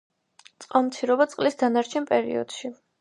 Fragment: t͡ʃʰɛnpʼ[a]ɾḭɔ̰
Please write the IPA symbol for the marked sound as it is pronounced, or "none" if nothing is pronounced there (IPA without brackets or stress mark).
ɛ